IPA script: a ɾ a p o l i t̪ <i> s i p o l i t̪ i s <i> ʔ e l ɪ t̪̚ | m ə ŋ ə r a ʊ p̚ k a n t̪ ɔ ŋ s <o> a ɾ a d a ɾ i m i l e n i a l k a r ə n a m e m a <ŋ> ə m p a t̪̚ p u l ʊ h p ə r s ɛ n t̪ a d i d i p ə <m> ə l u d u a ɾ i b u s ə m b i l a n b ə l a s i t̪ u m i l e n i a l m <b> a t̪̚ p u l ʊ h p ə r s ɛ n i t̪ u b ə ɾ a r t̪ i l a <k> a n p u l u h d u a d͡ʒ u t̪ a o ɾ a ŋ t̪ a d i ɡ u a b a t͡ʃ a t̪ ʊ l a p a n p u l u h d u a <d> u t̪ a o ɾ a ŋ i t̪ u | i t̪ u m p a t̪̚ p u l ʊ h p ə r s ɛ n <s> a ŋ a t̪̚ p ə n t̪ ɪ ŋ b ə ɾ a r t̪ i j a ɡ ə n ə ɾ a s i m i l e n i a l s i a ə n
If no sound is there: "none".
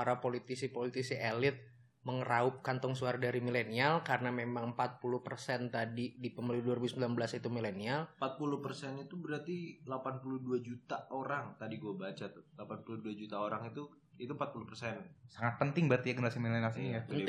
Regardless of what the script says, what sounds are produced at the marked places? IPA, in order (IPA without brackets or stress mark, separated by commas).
i, i, u, ŋ, m, p, p, d͡ʒ, s